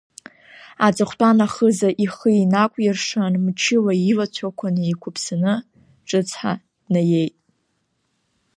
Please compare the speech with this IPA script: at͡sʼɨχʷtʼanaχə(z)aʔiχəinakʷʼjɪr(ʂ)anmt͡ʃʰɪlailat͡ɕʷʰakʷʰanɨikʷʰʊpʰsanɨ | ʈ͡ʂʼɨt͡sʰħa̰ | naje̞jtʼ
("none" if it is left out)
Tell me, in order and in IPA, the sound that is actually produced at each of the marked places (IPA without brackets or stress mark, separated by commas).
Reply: z, ʂ